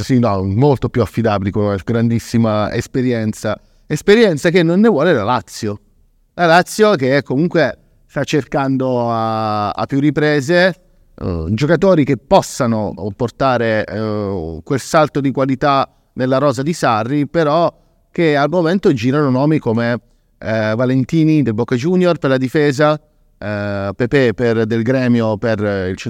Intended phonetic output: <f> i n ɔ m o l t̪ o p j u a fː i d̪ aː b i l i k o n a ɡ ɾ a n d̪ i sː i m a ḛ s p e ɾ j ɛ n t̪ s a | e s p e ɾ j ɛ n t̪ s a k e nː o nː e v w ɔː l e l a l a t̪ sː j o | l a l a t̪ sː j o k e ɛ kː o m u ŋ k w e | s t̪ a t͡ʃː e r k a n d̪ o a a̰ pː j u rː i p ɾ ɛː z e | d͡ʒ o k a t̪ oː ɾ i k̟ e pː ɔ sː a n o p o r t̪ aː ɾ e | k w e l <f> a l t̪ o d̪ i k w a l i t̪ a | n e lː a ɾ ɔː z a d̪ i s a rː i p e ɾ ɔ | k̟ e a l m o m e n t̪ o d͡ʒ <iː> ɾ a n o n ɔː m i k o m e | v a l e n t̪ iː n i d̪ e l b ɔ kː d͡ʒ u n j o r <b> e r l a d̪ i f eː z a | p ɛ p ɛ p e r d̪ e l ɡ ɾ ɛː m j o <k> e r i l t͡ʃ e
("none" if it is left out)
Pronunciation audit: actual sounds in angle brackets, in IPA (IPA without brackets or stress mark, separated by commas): s, s, iː, p, p